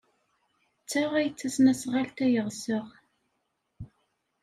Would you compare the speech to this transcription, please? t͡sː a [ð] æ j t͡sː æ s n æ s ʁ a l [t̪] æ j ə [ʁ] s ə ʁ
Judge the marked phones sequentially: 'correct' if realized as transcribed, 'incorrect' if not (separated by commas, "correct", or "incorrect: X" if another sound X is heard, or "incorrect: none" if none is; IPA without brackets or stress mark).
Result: incorrect: ʁ, correct, correct